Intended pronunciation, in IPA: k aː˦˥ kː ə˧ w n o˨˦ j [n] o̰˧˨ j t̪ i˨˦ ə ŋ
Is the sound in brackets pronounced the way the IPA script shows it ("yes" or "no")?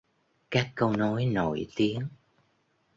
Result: yes